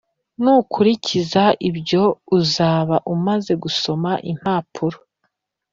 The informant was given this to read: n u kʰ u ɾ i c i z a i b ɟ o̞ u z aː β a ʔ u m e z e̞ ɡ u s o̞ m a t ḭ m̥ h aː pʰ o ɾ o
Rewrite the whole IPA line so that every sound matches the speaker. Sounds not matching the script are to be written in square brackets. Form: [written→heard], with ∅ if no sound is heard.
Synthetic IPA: n u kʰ u ɾ i c i z a i b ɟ o̞ u z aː β a ʔ u m [e→a] z e̞ ɡ u s o̞ m a [t→ʔ] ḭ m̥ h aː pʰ [o→u] ɾ o